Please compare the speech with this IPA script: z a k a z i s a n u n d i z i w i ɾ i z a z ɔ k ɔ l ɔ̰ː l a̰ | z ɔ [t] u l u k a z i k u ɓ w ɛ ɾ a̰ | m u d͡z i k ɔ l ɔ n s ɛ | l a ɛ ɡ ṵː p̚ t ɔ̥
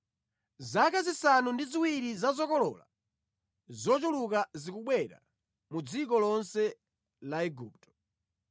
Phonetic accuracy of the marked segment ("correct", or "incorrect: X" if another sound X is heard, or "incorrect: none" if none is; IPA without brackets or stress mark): incorrect: t͡ʃ